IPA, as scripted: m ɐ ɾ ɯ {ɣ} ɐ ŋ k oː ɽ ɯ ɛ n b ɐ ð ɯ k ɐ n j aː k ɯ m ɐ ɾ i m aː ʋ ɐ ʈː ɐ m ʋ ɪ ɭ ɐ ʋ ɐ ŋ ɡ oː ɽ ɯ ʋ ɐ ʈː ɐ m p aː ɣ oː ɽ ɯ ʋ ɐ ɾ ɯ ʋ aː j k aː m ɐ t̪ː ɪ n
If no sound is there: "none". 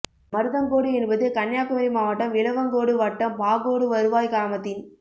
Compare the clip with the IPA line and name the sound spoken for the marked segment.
ð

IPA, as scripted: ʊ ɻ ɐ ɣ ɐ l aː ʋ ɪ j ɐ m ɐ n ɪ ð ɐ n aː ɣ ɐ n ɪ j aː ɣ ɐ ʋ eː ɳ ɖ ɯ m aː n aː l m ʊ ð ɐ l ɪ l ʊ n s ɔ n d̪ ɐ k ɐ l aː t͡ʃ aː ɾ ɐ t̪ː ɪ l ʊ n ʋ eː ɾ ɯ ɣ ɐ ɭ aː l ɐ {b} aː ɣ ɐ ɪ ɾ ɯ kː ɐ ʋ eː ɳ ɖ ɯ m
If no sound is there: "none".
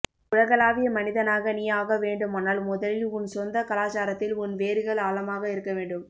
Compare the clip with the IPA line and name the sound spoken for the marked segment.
m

